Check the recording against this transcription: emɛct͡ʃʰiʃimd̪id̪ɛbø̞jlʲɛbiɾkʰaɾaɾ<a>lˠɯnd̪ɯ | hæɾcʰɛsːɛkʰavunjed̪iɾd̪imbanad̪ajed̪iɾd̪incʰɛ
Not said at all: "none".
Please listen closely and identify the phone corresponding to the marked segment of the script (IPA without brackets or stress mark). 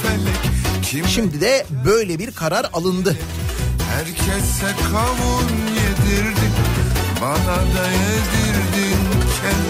a